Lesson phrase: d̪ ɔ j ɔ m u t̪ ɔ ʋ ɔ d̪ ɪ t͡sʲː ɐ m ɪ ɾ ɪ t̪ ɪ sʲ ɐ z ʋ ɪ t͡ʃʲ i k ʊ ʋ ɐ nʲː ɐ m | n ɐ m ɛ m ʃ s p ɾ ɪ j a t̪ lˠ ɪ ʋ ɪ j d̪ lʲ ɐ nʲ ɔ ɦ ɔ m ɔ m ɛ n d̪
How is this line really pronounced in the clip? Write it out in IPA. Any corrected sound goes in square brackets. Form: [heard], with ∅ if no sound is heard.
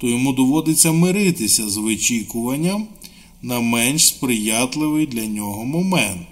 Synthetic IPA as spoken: [t̪] ɔ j ɔ m u [d̪] ɔ ʋ ɔ d̪ ɪ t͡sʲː ɐ m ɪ ɾ ɪ t̪ ɪ sʲ ɐ z ʋ ɪ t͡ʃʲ i k ʊ ʋ ɐ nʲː ɐ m | n ɐ m ɛ [n] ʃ s p ɾ ɪ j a t̪ lˠ ɪ ʋ ɪ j d̪ lʲ ɐ nʲ ɔ ɦ ɔ m ɔ m ɛ n [t̪]